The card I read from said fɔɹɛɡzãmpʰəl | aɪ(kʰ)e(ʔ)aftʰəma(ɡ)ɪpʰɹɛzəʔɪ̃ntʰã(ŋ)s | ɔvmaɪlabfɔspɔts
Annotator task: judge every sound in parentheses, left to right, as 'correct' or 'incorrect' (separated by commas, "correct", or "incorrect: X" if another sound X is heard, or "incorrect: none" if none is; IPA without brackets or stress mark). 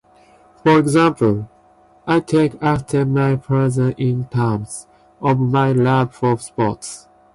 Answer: incorrect: tʰ, incorrect: k, incorrect: none, incorrect: m